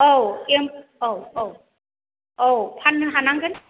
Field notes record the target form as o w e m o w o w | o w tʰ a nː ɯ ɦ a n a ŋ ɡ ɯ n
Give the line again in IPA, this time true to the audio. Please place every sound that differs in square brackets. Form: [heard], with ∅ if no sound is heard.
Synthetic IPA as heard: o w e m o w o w | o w [pʰ] a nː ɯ ɦ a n a ŋ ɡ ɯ n